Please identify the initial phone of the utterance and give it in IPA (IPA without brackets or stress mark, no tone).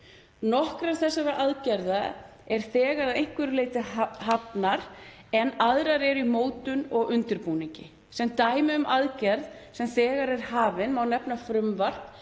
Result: n